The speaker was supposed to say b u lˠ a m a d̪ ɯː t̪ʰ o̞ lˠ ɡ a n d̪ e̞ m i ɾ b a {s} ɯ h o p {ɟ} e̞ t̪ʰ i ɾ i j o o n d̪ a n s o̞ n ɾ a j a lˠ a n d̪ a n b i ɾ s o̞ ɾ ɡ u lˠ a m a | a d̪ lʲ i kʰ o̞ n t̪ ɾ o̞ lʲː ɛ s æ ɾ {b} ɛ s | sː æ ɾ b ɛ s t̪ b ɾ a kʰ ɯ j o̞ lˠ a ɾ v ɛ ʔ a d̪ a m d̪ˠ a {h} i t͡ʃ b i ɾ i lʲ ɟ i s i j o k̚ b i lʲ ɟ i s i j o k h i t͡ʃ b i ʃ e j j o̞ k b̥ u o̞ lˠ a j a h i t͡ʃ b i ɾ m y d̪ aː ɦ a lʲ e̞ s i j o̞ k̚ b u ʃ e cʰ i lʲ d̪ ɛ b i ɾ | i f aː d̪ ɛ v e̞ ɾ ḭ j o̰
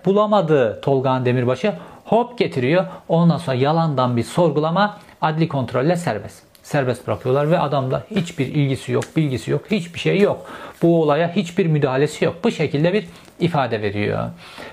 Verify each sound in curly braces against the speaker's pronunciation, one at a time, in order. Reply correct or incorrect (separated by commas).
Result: incorrect, correct, correct, correct